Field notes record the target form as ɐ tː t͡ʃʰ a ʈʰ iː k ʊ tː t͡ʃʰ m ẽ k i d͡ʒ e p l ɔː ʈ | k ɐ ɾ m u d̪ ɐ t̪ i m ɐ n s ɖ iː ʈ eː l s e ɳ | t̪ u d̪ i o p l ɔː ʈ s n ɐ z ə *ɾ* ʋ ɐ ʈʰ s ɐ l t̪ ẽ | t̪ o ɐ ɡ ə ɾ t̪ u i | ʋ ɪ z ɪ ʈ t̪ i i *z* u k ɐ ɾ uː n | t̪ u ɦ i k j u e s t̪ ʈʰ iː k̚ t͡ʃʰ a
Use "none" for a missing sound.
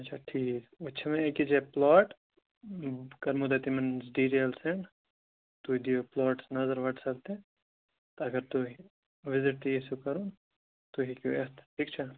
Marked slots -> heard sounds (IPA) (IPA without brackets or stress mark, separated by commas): ɾ, s